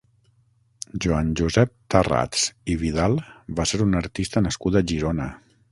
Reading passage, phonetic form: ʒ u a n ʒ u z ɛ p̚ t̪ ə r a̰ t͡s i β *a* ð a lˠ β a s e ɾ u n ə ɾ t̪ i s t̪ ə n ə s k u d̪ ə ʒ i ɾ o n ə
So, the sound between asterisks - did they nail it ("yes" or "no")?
no